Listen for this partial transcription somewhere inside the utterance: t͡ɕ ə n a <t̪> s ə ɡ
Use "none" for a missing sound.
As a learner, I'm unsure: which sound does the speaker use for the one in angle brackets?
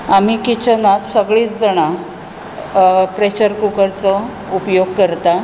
t̪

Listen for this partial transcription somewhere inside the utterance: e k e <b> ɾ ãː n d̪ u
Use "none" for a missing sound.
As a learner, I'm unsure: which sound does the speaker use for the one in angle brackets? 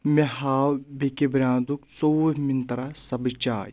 b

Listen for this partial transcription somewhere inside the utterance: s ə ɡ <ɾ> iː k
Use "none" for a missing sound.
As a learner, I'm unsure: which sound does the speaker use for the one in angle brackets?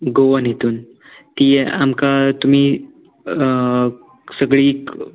ɭ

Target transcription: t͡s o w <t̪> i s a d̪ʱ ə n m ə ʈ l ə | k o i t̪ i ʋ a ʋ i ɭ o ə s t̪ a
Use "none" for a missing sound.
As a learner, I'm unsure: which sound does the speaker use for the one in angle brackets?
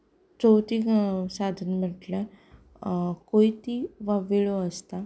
t̪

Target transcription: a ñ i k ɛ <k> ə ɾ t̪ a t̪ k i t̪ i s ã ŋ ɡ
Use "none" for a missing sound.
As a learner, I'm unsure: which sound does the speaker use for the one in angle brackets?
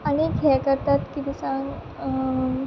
k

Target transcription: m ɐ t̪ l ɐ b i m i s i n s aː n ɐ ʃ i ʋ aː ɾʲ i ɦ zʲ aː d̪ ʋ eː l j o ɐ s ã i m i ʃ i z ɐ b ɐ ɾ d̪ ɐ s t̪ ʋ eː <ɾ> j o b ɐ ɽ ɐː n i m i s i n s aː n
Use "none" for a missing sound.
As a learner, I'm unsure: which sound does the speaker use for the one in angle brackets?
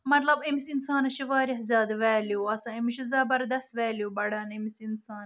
l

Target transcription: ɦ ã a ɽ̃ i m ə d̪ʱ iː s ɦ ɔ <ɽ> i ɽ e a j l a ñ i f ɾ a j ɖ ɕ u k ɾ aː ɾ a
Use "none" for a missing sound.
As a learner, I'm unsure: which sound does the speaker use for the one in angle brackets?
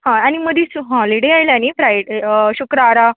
l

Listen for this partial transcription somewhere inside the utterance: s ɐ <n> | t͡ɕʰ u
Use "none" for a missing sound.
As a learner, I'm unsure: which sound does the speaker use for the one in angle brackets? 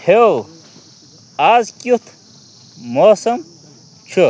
m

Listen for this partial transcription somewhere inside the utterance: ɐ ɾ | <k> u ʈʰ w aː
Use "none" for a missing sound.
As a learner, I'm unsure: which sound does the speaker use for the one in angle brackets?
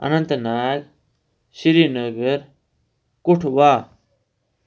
k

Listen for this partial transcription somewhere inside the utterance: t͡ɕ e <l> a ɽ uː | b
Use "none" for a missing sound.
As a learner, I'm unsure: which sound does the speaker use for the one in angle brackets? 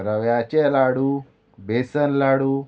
l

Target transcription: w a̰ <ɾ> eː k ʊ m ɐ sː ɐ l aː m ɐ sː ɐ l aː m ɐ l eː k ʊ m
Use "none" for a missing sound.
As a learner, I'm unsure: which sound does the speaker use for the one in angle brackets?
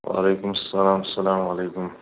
l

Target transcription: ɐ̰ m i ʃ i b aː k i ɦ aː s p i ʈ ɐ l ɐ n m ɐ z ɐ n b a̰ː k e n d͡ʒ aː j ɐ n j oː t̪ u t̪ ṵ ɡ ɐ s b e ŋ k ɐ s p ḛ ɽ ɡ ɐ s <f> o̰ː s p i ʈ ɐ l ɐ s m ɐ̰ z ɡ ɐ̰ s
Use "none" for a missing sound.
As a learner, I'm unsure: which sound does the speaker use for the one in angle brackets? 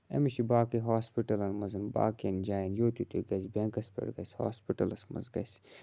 h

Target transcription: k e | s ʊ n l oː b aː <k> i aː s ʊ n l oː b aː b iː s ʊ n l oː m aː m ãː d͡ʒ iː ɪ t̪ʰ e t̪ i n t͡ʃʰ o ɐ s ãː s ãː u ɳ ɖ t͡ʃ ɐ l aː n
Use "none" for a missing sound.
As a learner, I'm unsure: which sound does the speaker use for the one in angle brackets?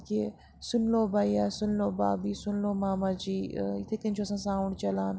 none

